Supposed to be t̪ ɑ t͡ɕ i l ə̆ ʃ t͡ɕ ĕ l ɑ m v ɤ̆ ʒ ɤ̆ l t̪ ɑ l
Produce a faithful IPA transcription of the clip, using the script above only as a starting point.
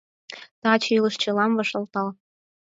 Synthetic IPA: t̪ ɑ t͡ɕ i l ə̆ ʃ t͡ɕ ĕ l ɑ m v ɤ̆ ʃ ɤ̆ l t̪ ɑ l